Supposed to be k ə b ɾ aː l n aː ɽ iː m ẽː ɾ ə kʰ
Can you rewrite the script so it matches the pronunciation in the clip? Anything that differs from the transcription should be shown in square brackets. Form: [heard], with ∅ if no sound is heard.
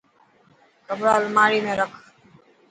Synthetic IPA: k ə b ɾ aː l [m] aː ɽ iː m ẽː ɾ ə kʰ